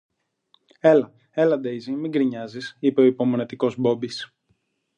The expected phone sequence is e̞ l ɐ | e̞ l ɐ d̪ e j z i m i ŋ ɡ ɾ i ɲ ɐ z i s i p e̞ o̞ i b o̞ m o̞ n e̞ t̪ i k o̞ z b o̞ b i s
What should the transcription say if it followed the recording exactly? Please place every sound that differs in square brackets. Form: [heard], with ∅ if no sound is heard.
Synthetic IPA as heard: e̞ l ɐ | e̞ l ɐ d̪ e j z i m i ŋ ɡ ɾ i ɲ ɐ z i s i p e̞ o̞ i [p] o̞ m o̞ n e̞ t̪ i k o̞ z b o̞ b i s